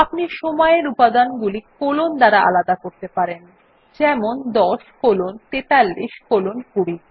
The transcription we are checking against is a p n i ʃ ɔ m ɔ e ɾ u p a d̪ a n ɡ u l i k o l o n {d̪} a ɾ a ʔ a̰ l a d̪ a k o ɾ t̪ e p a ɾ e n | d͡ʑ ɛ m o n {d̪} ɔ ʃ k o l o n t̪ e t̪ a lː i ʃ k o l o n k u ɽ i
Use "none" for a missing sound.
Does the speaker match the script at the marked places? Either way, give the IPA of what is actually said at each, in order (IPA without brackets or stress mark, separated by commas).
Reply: d̪, d̪